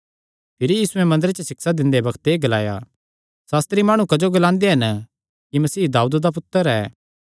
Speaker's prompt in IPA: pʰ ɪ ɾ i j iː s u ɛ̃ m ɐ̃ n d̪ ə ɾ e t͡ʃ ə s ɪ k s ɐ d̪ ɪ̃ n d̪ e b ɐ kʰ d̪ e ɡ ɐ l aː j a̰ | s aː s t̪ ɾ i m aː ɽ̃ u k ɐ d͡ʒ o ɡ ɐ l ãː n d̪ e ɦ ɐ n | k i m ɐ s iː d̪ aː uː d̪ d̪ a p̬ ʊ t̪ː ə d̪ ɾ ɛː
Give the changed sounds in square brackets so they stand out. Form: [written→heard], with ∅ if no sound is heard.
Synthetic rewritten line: pʰ ɪ ɾ i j iː s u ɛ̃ m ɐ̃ n d̪ ə ɾ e t͡ʃ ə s ɪ k s [ɐ→a] d̪ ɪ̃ n d̪ e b ɐ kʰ [d̪→t̪] e ɡ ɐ l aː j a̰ | s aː s t̪ ɾ i m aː ɽ̃ u k ɐ d͡ʒ o ɡ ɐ l ãː n d̪ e ɦ ɐ n | k i m ɐ s iː d̪ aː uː d̪ d̪ a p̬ ʊ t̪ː ə [d̪→∅] ɾ ɛː

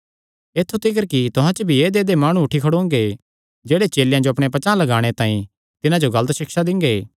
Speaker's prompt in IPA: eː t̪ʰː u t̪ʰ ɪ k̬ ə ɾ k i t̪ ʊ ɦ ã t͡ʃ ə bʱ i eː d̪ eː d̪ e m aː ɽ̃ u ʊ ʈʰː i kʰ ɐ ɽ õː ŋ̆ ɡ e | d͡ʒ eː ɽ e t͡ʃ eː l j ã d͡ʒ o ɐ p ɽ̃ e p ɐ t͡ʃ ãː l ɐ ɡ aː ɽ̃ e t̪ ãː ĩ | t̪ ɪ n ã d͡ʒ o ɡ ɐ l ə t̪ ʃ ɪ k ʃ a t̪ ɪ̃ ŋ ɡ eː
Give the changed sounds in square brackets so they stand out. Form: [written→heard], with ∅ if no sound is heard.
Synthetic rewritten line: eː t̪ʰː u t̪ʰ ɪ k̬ ə ɾ k i t̪ ʊ ɦ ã t͡ʃ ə bʱ i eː d̪ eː d̪ e m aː ɽ̃ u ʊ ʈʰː i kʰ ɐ ɽ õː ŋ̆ ɡ e | d͡ʒ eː ɽ e t͡ʃ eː l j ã d͡ʒ o ɐ p ɽ̃ e p ɐ t͡ʃ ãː l ɐ ɡ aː ɽ̃ e t̪ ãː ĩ | t̪ ɪ n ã d͡ʒ o ɡ ɐ l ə t̪ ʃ ɪ k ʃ a [t̪→d̪] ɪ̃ ŋ ɡ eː

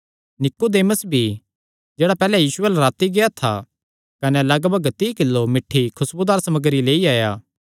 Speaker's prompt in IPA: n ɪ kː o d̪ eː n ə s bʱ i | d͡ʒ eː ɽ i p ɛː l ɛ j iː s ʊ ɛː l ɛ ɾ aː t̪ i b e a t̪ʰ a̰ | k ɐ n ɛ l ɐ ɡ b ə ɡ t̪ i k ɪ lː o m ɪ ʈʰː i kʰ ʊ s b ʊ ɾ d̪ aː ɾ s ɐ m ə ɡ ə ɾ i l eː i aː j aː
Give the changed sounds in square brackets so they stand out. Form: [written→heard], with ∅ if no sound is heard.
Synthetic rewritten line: n ɪ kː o d̪ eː [n→m] ə s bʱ i | d͡ʒ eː ɽ [i→a] p ɛː l ɛ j iː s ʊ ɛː l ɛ ɾ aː t̪ i [b→ɡ] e a t̪ʰ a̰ | k ɐ n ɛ l ɐ ɡ b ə ɡ t̪ i k ɪ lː o m ɪ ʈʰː i kʰ ʊ s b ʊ [ɾ→∅] d̪ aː ɾ s ɐ m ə ɡ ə ɾ i l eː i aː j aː

